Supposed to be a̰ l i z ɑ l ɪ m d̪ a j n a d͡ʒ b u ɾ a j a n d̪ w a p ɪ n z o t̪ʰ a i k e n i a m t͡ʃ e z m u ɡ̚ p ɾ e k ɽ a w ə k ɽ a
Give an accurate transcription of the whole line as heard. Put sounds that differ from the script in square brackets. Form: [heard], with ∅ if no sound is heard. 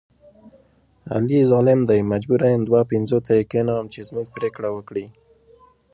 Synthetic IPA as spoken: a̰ l i z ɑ l ɪ m d̪ a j [m] a d͡ʒ b u ɾ a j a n d̪ w a p ɪ n z o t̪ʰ a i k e n [a] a m t͡ʃ e z m u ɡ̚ p ɾ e k ɽ a w ə k ɽ [i]